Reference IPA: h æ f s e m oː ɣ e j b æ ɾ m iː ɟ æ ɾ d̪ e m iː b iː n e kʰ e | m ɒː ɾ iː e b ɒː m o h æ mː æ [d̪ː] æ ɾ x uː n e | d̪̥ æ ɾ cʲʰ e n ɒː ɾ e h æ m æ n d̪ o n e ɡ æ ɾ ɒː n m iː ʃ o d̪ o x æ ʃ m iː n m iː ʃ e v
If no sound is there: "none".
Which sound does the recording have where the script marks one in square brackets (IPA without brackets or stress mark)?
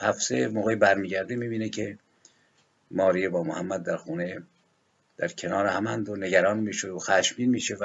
d̪ː